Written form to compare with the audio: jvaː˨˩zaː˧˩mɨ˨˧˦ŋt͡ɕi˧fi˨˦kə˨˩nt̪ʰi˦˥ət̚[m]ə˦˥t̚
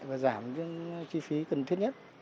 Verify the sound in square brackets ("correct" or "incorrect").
incorrect